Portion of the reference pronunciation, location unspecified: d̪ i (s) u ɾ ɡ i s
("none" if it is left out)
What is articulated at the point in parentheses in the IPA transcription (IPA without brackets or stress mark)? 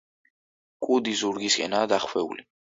z